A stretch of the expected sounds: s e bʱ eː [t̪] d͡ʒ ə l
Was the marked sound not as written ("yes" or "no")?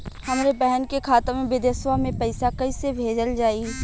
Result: yes